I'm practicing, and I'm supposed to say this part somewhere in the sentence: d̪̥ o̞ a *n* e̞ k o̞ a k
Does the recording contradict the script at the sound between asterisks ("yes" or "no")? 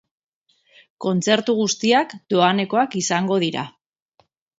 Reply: no